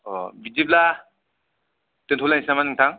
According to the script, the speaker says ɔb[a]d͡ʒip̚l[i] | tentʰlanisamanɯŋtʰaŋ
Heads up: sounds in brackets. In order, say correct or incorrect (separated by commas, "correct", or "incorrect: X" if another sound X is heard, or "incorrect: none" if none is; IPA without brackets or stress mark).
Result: incorrect: i, incorrect: a